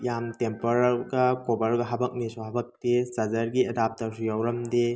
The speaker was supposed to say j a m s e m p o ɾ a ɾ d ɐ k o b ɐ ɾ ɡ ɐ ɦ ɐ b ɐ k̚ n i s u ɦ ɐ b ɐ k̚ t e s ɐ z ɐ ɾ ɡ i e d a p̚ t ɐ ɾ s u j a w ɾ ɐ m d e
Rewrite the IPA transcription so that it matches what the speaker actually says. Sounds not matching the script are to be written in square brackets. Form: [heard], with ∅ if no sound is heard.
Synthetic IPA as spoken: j a m [t] e m p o ɾ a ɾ [ɡ] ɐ k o b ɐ ɾ ɡ ɐ ɦ ɐ b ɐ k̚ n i s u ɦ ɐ b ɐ k̚ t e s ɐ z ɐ ɾ ɡ i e d a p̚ t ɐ ɾ s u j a w ɾ ɐ m d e

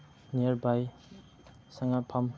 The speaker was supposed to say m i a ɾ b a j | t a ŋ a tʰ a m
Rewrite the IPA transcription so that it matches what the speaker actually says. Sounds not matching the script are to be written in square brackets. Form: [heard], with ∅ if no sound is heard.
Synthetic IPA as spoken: [n] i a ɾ b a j | [s] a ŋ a [pʰ] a m

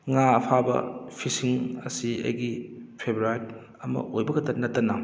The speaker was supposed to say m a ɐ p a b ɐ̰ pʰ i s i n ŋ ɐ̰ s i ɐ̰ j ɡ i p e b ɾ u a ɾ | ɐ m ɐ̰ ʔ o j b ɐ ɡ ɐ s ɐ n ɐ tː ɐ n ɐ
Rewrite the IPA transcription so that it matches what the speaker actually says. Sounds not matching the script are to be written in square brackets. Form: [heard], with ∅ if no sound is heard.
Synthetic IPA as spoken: [ŋ] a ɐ [pʰ] a b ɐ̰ pʰ i s i [∅] ŋ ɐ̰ s i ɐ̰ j ɡ i [pʰ] e b ɾ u a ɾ | ɐ m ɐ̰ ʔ o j b ɐ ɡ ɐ [t] ɐ n ɐ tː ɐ n ɐ

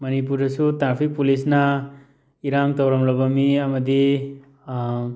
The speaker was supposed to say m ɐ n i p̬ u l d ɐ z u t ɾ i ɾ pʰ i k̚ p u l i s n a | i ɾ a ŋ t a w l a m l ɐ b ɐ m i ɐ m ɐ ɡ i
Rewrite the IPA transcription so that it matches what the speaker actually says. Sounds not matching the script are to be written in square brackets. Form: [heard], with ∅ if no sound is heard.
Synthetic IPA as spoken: m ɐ n i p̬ u [ɾ] d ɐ [s] u t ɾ [a] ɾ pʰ i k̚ p u l i s n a | i ɾ a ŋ t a w [ɾ] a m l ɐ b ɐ m i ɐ m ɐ [d] i

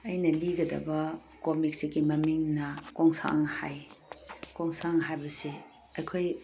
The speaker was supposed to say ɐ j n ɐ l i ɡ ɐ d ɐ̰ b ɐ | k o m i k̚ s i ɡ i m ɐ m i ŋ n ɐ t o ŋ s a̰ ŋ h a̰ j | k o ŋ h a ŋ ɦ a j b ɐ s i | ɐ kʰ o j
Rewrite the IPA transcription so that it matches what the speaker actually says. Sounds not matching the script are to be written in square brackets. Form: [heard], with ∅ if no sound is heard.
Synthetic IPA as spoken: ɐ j n ɐ l i ɡ ɐ d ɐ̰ b ɐ | k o m i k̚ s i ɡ i m ɐ m i ŋ n ɐ [k] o ŋ s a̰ ŋ h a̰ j | k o ŋ [s] a ŋ ɦ a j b ɐ s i | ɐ kʰ o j

